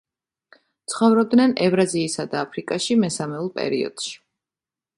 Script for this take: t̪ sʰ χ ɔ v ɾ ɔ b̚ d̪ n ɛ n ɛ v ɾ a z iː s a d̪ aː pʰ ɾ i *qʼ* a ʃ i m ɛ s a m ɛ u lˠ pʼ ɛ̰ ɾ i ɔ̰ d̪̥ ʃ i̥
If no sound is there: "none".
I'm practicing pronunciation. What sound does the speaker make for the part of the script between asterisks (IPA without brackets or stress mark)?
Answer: kʼ